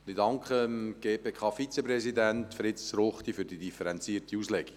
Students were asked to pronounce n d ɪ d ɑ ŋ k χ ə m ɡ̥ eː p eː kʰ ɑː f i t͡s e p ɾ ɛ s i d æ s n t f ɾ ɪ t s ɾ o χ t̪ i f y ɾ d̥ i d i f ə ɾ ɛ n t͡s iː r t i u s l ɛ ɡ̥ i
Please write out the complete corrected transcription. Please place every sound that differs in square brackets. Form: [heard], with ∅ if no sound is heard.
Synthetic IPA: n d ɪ d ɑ ŋ k χ ə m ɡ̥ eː p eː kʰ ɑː f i t͡s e p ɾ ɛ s i d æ [∅] n t f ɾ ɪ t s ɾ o χ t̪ i f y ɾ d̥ i d i f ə ɾ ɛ n t͡s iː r t i u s l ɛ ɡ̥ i